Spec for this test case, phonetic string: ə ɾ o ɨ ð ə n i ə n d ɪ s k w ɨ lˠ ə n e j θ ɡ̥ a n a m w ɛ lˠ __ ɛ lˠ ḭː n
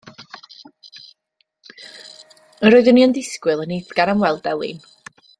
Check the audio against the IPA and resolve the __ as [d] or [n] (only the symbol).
d